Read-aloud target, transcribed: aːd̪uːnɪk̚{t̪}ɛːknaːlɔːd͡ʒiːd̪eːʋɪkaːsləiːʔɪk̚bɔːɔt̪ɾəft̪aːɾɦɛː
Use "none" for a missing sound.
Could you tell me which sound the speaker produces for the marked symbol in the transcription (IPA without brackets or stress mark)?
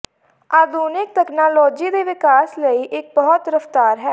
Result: t̪